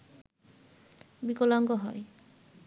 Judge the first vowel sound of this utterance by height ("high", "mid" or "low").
high